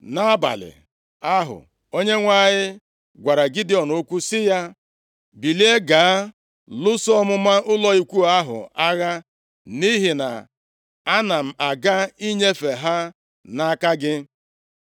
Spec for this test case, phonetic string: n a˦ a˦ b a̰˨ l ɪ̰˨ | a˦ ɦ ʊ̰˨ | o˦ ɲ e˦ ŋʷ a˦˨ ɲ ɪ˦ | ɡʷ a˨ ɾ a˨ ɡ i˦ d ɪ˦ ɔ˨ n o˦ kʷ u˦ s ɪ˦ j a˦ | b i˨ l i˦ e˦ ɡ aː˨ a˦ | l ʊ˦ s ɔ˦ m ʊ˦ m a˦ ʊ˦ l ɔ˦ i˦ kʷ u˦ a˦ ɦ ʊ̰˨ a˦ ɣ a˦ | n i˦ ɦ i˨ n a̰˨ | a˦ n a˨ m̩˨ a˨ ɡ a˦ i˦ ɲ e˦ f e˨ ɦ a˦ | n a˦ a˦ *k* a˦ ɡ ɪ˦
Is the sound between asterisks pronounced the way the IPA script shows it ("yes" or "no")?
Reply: yes